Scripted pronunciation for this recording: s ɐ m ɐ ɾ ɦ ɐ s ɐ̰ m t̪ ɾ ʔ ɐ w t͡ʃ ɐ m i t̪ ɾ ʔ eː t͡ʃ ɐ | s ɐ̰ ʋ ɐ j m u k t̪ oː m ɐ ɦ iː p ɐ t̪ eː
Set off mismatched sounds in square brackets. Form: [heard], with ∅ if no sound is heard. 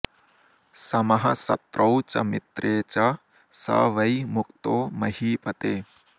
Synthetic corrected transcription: s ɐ m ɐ [∅] ɦ ɐ s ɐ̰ [∅] t̪ ɾ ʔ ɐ w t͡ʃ ɐ m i t̪ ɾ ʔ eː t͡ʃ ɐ | s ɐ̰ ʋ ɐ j m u k t̪ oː m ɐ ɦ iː p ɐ t̪ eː